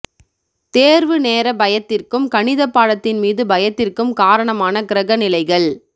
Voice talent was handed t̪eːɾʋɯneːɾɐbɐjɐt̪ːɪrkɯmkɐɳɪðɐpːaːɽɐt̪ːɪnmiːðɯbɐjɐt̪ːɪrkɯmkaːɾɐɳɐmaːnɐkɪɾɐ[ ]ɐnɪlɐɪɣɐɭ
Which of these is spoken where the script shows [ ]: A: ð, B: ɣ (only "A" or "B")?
B